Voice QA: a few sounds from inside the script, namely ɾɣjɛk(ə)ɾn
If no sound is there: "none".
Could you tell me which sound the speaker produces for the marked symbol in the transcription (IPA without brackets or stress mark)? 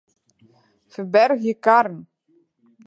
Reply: a